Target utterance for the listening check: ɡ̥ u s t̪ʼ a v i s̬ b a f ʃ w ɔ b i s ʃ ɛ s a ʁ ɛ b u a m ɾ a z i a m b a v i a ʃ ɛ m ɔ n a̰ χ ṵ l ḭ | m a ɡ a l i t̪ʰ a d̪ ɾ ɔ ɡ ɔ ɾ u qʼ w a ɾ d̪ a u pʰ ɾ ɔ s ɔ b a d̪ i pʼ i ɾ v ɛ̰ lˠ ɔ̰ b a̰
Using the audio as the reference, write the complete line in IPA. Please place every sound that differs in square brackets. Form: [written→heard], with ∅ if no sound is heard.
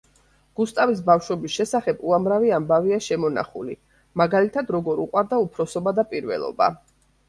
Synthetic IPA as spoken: ɡ̥ u s t̪ʼ a v i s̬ b a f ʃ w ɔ b i s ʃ ɛ s a [ʁ→χ] ɛ b u a m ɾ a [z→v] i a m b a v i a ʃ ɛ m ɔ n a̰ χ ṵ l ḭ | m a ɡ a l i t̪ʰ a d̪ ɾ ɔ ɡ ɔ ɾ u qʼ w a ɾ d̪ a u pʰ ɾ ɔ s ɔ b a d̪ [i→a] pʼ i ɾ v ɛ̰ lˠ ɔ̰ b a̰